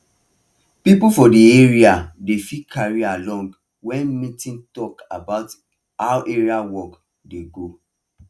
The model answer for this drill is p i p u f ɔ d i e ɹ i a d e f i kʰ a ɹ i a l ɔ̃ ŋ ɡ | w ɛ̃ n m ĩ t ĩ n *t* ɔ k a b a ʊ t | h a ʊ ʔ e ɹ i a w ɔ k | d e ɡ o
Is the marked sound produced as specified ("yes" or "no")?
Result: yes